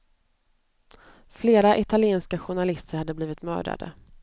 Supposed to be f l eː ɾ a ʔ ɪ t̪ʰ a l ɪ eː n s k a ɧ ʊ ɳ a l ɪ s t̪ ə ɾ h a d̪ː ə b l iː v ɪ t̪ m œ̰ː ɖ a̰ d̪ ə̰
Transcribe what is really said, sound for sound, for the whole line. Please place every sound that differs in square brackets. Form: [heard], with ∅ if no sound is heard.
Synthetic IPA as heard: f l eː ɾ a ʔ ɪ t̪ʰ a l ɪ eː n s k a ɧ ʊ ɳ a l ɪ s t̪ ə ɾ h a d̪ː ə b l iː v ɪ t̪ m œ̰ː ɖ a̰ d̪ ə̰